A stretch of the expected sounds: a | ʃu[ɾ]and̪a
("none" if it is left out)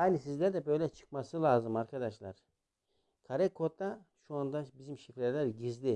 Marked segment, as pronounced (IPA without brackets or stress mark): none